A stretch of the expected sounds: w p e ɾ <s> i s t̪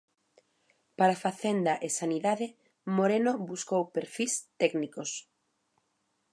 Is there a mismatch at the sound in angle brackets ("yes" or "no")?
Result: yes